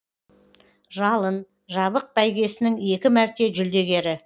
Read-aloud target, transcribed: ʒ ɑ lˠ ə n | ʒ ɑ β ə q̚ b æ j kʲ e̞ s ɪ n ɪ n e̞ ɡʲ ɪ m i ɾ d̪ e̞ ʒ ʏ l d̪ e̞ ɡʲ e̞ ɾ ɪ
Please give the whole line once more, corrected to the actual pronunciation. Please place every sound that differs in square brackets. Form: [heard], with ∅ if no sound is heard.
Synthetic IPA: ʒ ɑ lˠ ə n | ʒ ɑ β ə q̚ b æ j [ɡʲ] e̞ s ɪ n ɪ [ŋ] e̞ [kʲ] ɪ m [æ] ɾ [t̪] e̞ ʒ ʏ l d̪ e̞ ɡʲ e̞ ɾ ɪ

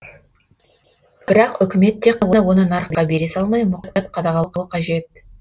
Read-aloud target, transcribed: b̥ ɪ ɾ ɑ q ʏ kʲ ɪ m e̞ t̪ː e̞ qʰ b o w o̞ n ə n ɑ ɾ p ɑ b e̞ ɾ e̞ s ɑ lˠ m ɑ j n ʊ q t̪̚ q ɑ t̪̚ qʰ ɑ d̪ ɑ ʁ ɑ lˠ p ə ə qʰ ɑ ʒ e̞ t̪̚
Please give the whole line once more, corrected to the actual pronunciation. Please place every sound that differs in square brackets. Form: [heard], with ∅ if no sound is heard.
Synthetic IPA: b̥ ɪ ɾ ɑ q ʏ kʲ ɪ m e̞ t̪ː e̞ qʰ [w] o w o̞ n ə n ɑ ɾ [q] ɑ b e̞ ɾ e̞ s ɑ lˠ m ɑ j [m] ʊ q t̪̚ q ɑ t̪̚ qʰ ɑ d̪ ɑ ʁ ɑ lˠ [q] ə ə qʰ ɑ ʒ e̞ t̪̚

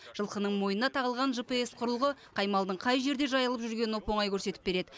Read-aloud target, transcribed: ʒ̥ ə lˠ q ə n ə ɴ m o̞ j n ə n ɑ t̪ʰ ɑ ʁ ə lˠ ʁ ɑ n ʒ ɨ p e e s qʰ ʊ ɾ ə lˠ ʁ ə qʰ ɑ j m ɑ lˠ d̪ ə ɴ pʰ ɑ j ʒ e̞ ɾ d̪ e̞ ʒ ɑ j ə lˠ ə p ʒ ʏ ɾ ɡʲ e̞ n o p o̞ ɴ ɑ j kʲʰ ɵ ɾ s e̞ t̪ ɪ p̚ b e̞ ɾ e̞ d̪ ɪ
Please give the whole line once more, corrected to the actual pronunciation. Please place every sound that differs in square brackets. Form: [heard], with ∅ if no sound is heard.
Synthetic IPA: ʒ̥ ə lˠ q ə n ə ɴ m o̞ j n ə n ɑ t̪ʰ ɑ ʁ ə lˠ ʁ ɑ n ʒ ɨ p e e s qʰ ʊ ɾ ə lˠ ʁ ə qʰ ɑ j m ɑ lˠ d̪ ə ɴ [qʰ] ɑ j ʒ e̞ ɾ d̪ e̞ ʒ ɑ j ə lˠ ə p ʒ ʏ ɾ ɡʲ e̞ n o p o̞ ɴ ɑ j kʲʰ ɵ ɾ s e̞ t̪ ɪ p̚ b e̞ ɾ e̞ d̪ ɪ

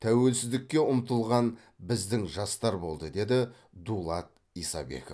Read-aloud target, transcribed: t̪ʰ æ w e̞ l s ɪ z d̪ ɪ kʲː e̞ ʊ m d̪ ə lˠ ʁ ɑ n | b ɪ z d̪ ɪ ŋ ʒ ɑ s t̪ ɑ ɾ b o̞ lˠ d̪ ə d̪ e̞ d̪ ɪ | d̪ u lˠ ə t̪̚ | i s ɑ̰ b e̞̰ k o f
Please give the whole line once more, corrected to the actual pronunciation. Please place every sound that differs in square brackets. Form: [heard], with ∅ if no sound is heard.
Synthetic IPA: t̪ʰ æ w e̞ l s ɪ z d̪ ɪ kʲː e̞ ʊ m [t̪] ə lˠ ʁ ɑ n | b ɪ z d̪ ɪ ŋ ʒ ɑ s t̪ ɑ ɾ b o̞ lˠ d̪ ə d̪ e̞ d̪ ɪ | d̪ u lˠ [ɑ] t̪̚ | i s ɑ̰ b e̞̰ k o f

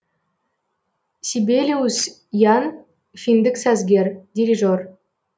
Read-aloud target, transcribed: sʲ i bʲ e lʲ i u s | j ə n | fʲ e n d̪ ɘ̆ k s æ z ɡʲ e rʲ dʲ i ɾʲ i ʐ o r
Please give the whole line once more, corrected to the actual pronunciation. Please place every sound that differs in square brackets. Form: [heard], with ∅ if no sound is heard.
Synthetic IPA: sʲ i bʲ e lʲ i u s | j [ɑ] n | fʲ [i] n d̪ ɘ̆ k s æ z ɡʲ e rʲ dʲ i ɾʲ i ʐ o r

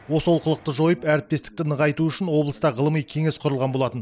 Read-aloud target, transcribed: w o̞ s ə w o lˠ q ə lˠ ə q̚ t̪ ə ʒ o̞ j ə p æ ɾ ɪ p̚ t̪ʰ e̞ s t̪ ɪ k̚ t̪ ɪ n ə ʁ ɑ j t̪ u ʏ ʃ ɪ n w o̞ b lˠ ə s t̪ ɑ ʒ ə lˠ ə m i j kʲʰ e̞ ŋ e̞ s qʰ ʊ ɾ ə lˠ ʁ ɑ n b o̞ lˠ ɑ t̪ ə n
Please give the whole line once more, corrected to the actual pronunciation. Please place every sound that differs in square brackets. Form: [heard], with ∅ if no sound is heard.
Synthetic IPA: w o̞ s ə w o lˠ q ə lˠ ə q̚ t̪ ə ʒ o̞ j ə p æ ɾ ɪ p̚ [t̪] e̞ s t̪ ɪ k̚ t̪ ɪ n ə ʁ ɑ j t̪ u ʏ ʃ ɪ n w o̞ b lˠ ə s t̪ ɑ [ʁ] ə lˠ ə m i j kʲʰ e̞ ŋ e̞ s qʰ ʊ ɾ ə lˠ ʁ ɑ n b o̞ lˠ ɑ t̪ ə n

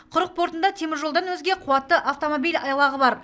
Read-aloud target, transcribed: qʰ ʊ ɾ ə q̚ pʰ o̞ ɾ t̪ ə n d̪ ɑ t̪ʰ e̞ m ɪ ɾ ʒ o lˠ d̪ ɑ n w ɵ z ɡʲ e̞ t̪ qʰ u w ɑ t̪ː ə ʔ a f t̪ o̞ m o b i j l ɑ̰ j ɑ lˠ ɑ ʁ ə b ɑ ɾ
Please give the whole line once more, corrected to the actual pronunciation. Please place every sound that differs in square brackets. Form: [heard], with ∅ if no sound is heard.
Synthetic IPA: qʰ ʊ ɾ ə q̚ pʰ o̞ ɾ t̪ ə n d̪ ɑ t̪ʰ e̞ m ɪ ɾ ʒ o lˠ d̪ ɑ n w ɵ z ɡʲ e̞ [∅] qʰ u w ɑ t̪ː ə ʔ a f t̪ o̞ m o b i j l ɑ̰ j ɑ lˠ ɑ ʁ ə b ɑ ɾ

